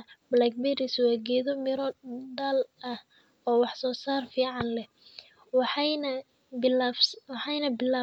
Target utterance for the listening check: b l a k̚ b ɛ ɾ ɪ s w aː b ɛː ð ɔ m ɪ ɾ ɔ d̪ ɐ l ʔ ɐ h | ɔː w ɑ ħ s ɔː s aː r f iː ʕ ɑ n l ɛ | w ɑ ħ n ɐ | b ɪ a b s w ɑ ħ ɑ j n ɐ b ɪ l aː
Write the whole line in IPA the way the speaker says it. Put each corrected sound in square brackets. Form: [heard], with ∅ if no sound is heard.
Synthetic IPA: b l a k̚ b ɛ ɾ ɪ s w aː [ɡ] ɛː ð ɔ m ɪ ɾ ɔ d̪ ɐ l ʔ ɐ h | ɔː w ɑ ħ s ɔː s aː r f iː ʕ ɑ n l ɛ | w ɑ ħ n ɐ | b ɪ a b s w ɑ ħ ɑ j n ɐ b ɪ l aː

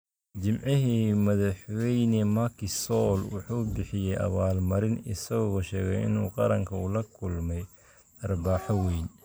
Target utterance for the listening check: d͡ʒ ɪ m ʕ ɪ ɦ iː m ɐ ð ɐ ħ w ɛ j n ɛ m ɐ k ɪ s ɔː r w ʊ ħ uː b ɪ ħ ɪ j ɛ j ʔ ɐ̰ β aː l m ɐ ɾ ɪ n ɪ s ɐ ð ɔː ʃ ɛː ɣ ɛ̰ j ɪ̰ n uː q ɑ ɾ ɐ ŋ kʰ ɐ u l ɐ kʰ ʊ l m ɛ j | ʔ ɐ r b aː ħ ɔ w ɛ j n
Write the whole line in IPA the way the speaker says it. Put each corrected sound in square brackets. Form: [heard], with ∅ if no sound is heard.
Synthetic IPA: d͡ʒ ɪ m ʕ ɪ ɦ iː m ɐ ð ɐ ħ w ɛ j n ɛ m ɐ k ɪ s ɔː [l] w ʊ ħ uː b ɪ ħ ɪ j ɛ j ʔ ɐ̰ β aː l m ɐ ɾ ɪ n ɪ s ɐ [ɣ] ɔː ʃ ɛː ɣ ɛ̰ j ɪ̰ n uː q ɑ ɾ ɐ ŋ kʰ ɐ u l ɐ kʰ ʊ l m ɛ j | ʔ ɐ r b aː ħ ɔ w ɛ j n

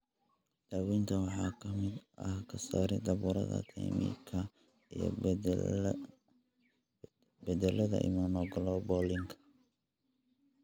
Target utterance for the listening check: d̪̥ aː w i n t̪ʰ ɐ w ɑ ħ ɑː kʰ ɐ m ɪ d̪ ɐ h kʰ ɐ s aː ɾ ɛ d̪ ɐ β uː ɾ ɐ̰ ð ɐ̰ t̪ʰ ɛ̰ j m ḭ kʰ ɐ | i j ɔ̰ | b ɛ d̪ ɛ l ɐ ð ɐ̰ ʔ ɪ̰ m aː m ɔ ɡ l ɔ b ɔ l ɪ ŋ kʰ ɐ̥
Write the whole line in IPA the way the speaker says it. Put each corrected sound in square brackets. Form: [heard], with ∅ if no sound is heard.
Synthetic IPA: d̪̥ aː w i n t̪ʰ ɐ w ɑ ħ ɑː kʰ ɐ m ɪ d̪ ɐ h kʰ ɐ s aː ɾ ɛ d̪ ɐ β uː ɾ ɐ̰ ð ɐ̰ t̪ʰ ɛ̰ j m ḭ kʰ ɐ | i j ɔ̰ | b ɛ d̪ ɛ l ɐ ð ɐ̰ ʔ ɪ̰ m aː m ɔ ɡ l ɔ b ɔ l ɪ ŋ kʰ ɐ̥

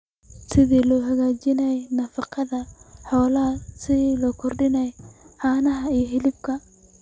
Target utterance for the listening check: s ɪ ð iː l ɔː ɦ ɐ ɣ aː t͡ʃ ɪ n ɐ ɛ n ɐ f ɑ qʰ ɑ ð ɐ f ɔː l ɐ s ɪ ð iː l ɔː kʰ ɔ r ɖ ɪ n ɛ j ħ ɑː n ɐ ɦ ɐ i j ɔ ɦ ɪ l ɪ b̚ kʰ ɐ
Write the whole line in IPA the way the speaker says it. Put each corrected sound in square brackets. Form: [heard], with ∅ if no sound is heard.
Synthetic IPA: s ɪ ð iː l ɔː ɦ ɐ ɣ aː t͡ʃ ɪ n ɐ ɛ n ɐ f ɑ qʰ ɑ ð ɐ [ħ] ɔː l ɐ s ɪ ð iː l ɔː kʰ ɔ r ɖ ɪ n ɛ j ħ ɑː n ɐ ɦ ɐ i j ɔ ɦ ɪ l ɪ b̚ kʰ ɐ

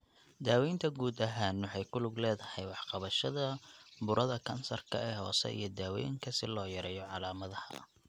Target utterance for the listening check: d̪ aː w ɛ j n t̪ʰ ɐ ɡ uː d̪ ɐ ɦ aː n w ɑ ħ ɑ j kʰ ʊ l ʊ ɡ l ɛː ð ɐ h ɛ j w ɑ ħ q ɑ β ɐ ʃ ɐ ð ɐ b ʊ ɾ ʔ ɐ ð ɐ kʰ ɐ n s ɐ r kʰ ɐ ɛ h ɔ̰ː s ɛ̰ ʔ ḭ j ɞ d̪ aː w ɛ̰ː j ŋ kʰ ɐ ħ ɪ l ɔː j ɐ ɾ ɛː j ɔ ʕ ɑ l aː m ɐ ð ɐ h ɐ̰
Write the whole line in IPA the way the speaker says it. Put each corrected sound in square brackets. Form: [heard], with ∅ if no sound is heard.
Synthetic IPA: d̪ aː w ɛ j n t̪ʰ ɐ ɡ uː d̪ ɐ ɦ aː n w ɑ ħ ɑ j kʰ ʊ l ʊ ɡ l ɛː ð ɐ h ɛ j w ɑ ħ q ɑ β ɐ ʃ ɐ ð ɐ b ʊ ɾ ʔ ɐ ð ɐ kʰ ɐ n s ɐ r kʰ ɐ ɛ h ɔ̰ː s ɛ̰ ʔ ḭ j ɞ d̪ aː w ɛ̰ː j ŋ kʰ ɐ [s] ɪ l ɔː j ɐ ɾ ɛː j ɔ ʕ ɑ l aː m ɐ ð ɐ h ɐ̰

